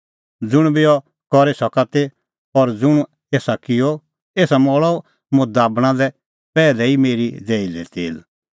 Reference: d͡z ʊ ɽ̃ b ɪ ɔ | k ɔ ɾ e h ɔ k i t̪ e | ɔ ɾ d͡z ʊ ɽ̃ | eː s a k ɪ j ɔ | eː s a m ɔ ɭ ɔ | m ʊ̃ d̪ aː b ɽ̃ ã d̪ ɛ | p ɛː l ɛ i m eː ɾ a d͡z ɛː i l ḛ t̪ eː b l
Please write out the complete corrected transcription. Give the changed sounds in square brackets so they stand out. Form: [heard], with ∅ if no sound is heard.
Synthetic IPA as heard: d͡z ʊ ɽ̃ b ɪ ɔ | k ɔ ɾ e [s] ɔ k [a] t̪ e | ɔ ɾ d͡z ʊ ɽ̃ | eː s a k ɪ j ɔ | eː s a m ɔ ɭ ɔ | m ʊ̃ d̪ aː b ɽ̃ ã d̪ ɛ | p ɛː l ɛ i m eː ɾ [i] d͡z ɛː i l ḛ t̪ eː [∅] l